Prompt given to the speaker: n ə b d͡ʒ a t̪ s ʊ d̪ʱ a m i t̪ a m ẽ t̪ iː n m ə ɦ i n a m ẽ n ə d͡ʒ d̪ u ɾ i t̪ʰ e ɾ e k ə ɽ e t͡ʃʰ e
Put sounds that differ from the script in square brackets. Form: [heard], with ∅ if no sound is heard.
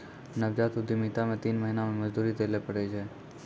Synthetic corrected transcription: n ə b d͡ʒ a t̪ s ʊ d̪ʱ [i] m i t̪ a m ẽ t̪ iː n m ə ɦ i n a m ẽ [m] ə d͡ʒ d̪ u ɾ i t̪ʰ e [l] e [p] ə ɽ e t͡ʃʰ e